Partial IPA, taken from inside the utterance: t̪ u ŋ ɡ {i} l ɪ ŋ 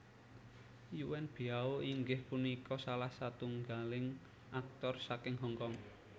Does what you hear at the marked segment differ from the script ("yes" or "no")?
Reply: yes